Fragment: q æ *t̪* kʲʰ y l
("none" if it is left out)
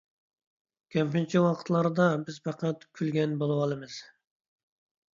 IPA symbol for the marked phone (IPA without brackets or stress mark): t̪